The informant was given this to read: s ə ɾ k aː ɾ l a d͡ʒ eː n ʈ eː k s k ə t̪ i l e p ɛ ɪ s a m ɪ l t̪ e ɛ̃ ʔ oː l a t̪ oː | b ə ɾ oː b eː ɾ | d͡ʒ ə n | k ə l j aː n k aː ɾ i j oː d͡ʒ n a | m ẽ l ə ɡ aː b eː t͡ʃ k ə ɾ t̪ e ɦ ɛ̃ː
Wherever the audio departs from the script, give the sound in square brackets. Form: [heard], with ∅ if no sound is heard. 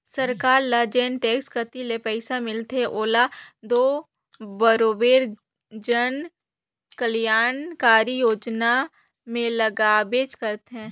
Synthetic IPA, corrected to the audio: s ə ɾ k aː ɾ l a d͡ʒ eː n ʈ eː k s k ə t̪ i l e p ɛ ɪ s a m ɪ l t̪ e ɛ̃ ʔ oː l a [d̪] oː | b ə ɾ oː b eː ɾ | d͡ʒ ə n | k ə l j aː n k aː ɾ i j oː d͡ʒ n a | m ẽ l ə ɡ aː b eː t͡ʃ k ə ɾ t̪ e ɦ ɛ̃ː